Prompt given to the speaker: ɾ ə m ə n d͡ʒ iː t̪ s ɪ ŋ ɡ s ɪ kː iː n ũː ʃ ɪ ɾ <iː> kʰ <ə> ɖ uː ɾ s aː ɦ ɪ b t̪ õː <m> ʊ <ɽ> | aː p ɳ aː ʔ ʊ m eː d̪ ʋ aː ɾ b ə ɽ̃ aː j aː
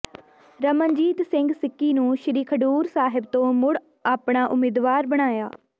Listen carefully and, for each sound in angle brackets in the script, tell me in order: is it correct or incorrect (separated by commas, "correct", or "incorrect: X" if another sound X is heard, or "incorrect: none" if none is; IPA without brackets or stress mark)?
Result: correct, correct, correct, correct